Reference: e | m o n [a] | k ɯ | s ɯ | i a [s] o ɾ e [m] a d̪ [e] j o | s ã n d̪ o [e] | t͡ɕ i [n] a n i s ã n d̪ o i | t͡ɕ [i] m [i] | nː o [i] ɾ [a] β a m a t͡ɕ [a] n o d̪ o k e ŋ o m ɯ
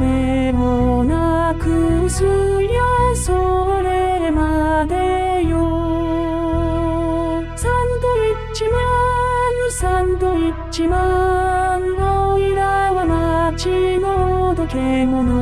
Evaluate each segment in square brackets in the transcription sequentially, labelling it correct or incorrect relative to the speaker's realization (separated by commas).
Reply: correct, correct, correct, correct, incorrect, incorrect, correct, incorrect, correct, correct, incorrect